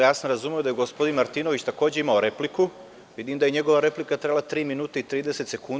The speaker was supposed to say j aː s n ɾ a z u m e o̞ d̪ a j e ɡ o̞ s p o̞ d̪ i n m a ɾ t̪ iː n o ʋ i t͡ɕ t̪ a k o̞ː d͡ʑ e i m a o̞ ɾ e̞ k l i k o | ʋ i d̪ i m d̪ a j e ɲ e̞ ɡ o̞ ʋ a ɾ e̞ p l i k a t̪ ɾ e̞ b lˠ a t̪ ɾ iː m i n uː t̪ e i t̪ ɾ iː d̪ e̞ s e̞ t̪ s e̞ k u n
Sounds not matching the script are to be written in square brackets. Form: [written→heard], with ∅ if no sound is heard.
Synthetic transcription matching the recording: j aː s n ɾ a z u m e o̞ d̪ a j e ɡ o̞ s p o̞ d̪ i n m a ɾ t̪ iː n o ʋ i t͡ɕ t̪ a k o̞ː d͡ʑ e i m a o̞ ɾ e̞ [k→p] l i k [o→u] | ʋ i d̪ i m d̪ a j e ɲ e̞ ɡ o̞ ʋ a ɾ e̞ p l i k a t̪ ɾ e̞ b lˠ a t̪ ɾ iː m i n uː t̪ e i t̪ ɾ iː d̪ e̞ s e̞ t̪ s e̞ k u n